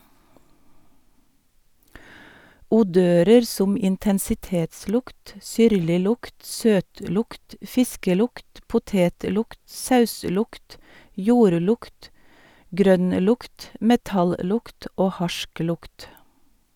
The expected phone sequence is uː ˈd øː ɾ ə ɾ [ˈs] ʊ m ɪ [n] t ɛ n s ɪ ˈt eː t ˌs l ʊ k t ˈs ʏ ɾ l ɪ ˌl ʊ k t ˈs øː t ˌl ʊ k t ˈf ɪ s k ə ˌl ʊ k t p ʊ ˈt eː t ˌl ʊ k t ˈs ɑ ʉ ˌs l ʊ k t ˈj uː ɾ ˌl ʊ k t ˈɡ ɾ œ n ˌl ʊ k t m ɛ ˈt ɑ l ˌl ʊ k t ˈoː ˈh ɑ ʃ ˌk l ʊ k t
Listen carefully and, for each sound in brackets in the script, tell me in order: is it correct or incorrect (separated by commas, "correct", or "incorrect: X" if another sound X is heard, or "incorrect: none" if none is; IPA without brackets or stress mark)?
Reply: correct, correct